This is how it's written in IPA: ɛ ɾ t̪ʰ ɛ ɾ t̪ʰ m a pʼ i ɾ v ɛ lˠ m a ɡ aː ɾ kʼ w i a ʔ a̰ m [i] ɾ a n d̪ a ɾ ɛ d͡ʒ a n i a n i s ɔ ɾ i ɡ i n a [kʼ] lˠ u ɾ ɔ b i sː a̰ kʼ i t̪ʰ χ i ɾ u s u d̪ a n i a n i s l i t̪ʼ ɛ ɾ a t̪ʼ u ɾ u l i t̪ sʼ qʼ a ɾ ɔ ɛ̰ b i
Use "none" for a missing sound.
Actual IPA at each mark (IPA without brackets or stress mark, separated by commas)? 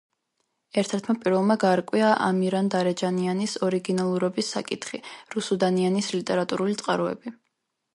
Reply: i, none